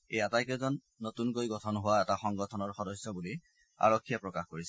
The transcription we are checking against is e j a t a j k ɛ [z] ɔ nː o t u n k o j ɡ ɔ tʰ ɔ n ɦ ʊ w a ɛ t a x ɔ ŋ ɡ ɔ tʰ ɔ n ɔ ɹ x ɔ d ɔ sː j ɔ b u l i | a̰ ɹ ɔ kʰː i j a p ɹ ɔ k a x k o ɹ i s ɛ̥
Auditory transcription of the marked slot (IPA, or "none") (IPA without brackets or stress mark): z